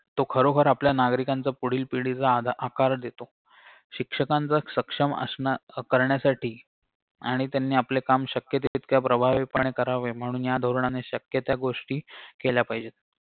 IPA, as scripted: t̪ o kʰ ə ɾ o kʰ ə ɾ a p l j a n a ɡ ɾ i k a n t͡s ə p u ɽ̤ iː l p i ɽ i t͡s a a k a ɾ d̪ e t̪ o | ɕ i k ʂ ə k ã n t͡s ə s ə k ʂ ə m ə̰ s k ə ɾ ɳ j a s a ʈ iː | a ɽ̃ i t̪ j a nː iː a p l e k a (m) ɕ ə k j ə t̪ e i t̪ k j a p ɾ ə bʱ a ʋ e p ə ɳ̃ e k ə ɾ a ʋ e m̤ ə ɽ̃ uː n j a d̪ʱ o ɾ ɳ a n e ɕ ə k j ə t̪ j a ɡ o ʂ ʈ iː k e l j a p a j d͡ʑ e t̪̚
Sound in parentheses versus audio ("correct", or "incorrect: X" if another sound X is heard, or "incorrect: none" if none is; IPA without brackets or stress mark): correct